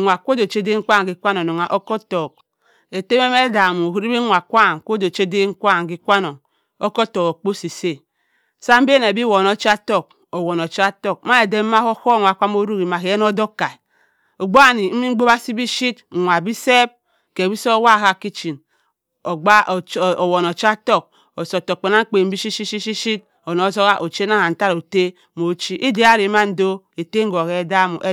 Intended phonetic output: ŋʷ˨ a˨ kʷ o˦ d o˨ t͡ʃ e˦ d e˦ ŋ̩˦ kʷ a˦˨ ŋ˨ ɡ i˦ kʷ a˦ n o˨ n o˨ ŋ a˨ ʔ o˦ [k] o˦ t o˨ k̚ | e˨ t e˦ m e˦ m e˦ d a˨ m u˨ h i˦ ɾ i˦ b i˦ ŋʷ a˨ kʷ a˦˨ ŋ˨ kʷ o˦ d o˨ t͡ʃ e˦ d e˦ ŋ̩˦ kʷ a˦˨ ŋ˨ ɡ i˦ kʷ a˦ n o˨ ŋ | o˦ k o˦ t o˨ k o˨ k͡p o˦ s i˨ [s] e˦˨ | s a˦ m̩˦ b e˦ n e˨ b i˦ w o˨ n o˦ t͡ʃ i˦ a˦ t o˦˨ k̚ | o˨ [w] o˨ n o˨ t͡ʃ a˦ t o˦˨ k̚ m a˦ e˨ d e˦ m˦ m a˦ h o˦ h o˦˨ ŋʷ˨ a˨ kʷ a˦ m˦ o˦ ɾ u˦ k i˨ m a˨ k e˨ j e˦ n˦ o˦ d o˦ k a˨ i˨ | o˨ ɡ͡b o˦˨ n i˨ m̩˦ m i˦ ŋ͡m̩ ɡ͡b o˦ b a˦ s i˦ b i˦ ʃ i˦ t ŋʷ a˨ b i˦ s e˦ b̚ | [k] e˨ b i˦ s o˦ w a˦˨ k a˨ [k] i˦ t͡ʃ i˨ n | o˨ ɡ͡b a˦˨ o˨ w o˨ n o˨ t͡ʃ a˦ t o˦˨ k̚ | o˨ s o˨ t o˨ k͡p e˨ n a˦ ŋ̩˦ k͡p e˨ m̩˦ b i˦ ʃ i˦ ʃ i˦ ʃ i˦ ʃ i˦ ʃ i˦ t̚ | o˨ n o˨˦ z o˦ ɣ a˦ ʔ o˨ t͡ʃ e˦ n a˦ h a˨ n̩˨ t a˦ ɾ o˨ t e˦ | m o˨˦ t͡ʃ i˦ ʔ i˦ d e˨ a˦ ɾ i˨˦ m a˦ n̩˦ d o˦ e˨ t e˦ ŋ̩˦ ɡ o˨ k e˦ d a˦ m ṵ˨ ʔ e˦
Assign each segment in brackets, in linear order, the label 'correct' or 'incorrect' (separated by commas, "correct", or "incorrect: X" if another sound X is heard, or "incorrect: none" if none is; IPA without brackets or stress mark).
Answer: correct, correct, correct, correct, correct